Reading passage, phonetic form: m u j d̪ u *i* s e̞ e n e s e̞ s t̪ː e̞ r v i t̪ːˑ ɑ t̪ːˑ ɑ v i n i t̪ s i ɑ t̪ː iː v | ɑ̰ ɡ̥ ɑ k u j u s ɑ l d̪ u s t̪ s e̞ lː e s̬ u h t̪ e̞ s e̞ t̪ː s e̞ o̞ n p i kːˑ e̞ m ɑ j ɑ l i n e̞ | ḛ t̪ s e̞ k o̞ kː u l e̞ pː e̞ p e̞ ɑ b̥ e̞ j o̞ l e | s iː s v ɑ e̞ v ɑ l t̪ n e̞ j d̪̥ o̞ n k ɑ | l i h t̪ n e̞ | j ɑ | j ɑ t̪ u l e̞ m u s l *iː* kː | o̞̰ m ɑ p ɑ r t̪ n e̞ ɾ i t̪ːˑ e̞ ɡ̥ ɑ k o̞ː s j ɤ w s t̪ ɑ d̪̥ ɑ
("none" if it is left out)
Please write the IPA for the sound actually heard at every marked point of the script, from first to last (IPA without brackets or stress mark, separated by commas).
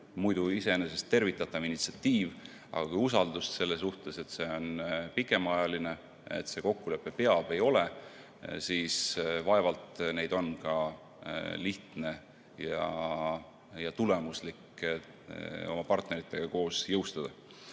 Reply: i, i